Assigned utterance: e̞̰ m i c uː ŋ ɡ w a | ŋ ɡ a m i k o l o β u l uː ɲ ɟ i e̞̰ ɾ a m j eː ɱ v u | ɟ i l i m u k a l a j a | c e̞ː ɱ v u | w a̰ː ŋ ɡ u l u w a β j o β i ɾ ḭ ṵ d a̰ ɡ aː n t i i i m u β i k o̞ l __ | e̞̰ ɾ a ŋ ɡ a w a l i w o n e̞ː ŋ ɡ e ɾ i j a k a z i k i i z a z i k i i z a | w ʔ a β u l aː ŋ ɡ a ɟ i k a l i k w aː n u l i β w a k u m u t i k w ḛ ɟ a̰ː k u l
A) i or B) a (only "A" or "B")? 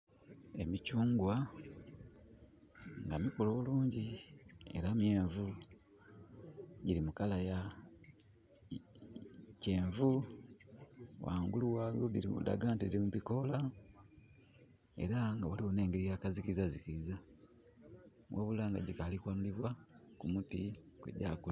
B